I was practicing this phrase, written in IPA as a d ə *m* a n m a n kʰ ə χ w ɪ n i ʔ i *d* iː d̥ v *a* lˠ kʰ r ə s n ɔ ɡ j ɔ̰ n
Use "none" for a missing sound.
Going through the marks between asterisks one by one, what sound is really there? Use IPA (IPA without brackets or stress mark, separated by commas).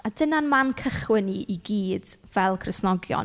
n, ɡ, ɛ